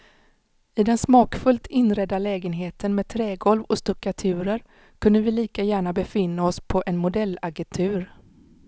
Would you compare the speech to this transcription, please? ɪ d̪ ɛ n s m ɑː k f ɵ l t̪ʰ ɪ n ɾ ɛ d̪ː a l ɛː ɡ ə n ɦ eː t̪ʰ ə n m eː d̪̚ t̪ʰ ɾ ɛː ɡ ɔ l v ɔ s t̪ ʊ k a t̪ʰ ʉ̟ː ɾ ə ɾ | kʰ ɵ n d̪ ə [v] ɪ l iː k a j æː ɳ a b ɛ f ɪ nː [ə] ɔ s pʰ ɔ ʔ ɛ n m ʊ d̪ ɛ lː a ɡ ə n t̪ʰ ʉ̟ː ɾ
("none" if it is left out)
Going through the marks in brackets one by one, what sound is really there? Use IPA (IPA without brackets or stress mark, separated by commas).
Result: v, a